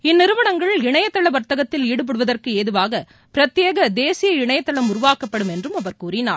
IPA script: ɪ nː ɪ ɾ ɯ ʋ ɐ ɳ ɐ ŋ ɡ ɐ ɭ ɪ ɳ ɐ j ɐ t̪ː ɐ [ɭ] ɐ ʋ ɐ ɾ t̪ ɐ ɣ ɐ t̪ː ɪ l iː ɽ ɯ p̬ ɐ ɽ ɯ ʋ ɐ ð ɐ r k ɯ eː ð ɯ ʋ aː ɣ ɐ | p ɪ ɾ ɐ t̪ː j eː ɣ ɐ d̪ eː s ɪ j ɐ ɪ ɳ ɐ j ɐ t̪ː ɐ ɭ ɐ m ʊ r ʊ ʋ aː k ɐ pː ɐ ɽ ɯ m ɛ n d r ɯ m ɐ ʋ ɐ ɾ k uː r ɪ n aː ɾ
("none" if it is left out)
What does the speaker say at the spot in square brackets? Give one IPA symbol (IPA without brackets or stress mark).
ɭ